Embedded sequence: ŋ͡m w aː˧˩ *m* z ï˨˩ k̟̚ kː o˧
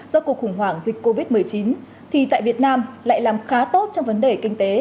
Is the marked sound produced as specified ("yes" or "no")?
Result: no